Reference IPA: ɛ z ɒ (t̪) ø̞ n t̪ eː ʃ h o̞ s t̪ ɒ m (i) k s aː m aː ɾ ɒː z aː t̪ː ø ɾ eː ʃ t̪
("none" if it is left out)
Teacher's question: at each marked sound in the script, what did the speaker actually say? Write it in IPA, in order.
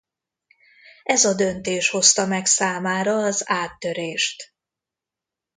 d̪, ɛ

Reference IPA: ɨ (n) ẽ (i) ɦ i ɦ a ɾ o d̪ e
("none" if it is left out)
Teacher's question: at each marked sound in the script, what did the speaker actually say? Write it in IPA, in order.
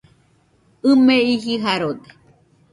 m, i

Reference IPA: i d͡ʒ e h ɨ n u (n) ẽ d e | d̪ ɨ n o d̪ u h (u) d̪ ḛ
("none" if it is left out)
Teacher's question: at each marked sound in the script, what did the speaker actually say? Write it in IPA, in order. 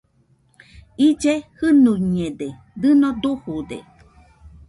ɲ, u

